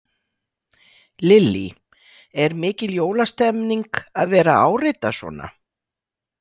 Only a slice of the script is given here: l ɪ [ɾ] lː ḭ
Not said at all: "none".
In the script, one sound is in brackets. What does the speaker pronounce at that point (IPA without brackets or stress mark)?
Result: none